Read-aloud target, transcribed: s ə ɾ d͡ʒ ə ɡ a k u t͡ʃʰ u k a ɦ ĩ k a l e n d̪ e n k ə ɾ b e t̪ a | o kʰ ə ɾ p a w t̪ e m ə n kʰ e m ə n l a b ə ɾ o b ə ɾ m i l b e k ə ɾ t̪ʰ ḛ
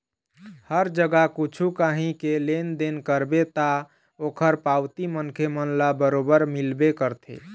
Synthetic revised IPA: h ə ɾ d͡ʒ ə ɡ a k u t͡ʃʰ u k a ɦ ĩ k e l e n d̪ e n k ə ɾ b e t̪ a | o kʰ ə ɾ p a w t̪ i m ə n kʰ e m ə n l a b ə ɾ o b ə ɾ m i l b e k ə ɾ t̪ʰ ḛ